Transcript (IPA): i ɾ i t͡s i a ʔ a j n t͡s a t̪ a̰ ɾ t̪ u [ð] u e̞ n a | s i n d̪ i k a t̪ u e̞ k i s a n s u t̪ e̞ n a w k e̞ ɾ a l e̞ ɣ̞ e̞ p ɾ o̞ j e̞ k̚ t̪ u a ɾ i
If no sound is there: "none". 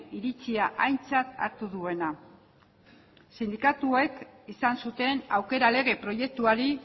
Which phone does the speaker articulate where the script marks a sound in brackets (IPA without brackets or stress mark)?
ð